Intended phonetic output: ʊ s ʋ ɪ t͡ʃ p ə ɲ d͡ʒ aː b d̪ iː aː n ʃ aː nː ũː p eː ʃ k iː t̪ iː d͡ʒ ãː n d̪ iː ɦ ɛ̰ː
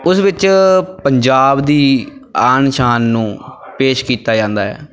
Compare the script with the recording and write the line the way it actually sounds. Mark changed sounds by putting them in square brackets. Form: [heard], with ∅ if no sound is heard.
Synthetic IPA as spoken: ʊ s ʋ ɪ t͡ʃ p ə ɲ d͡ʒ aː b d̪ iː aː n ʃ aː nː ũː p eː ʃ k iː t̪ [aː] d͡ʒ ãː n d̪ [aː] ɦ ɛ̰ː